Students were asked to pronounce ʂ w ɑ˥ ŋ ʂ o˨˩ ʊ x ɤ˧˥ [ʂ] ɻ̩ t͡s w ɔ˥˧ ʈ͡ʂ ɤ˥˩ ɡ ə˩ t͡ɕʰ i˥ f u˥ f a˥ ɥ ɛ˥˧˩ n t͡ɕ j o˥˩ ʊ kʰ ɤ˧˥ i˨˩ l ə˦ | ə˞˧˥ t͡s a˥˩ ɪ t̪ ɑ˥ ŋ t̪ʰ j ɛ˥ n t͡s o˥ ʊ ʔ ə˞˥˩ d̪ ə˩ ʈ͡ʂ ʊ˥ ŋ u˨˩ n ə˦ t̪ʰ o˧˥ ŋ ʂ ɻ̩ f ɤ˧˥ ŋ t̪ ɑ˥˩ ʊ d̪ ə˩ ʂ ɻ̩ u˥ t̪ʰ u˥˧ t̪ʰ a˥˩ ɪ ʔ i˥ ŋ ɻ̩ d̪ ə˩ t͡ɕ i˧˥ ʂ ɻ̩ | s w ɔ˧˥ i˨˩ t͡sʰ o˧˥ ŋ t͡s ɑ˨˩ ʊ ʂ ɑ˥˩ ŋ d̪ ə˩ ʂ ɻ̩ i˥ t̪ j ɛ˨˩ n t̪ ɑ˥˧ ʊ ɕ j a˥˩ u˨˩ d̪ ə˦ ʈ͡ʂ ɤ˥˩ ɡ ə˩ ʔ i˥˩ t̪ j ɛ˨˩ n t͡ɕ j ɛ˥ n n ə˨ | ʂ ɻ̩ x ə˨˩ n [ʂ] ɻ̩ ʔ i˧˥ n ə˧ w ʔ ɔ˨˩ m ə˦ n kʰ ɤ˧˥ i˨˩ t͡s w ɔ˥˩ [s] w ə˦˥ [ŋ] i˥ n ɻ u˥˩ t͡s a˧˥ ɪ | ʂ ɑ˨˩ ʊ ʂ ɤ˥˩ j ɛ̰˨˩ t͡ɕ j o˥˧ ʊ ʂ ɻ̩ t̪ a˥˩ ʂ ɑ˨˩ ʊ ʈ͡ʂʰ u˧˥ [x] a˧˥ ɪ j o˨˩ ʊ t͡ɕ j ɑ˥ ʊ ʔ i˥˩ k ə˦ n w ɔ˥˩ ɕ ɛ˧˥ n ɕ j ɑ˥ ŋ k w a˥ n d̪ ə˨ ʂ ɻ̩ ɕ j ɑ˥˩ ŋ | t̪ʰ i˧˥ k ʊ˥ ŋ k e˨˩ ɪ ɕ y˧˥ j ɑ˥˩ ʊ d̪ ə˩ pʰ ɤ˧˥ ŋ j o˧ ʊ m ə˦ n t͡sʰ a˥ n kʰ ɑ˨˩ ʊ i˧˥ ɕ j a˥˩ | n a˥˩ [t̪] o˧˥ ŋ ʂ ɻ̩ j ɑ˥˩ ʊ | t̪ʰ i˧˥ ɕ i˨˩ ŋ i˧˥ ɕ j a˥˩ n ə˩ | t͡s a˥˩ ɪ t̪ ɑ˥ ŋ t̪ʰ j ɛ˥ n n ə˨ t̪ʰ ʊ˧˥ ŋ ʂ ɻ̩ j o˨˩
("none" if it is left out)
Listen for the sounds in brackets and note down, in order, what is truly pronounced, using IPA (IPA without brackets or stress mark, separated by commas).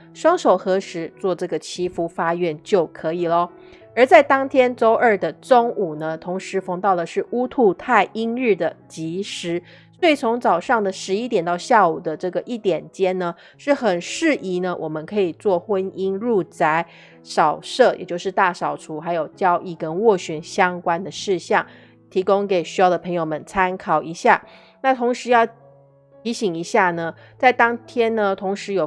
ʂ, ʂ, x, n, x, t̪ʰ